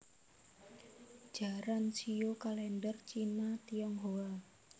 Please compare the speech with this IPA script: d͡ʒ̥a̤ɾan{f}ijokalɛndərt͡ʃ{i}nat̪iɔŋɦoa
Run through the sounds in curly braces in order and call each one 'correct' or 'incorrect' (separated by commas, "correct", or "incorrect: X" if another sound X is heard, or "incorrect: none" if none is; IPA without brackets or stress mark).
incorrect: s, correct